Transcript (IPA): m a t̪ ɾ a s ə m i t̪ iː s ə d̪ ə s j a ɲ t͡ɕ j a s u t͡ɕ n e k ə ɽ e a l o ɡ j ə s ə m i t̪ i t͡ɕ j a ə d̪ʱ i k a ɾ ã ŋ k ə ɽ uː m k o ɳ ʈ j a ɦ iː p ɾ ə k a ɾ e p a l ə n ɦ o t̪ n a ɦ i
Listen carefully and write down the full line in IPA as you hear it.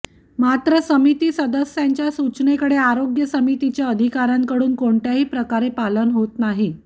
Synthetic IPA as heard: m a t̪ ɾ ə s ə m i t̪ iː s ə d̪ ə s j a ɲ t͡ɕ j a s u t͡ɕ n e k ə ɽ e a ɾ o ɡ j ə s ə m i t̪ i t͡ɕ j a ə d̪ʱ i k a ɾ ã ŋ k ə ɽ uː n k o ɳ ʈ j a ɦ iː p ɾ ə k a ɾ e p a l ə n ɦ o t̪ n a ɦ i